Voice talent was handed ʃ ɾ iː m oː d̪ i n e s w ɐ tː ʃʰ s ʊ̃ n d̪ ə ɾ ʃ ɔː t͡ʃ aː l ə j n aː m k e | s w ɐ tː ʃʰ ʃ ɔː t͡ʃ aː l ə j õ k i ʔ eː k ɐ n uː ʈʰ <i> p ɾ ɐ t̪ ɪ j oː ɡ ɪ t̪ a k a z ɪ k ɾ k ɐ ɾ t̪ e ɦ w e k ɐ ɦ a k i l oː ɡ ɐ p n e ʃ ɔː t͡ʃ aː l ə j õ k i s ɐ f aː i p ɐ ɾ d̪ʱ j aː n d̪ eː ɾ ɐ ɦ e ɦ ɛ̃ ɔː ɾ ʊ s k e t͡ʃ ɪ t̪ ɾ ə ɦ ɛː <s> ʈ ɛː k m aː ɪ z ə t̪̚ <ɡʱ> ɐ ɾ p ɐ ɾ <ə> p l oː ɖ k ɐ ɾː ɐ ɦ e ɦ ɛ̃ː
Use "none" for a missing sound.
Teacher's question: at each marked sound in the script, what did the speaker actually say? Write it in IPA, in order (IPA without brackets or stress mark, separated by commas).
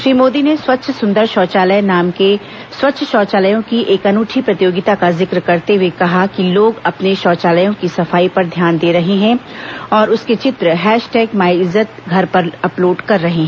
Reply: i, ʃ, ɡʱ, ɐ